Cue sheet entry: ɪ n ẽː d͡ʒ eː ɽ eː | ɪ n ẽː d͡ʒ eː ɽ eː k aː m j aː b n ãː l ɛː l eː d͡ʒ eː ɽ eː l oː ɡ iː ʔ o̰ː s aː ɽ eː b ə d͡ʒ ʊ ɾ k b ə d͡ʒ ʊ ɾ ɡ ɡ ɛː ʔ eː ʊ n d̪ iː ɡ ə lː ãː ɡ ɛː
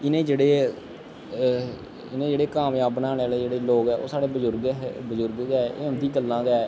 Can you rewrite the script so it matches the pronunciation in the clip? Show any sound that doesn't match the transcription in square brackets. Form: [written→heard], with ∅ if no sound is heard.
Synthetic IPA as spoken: ɪ n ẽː d͡ʒ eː ɽ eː | ɪ n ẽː d͡ʒ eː ɽ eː k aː m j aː b n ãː l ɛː l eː d͡ʒ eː ɽ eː l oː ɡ [iː→ɛː] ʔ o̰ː s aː ɽ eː b ə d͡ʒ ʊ ɾ [k→ɡ] b ə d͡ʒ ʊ ɾ ɡ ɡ ɛː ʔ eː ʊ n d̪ iː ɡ ə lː ãː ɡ ɛː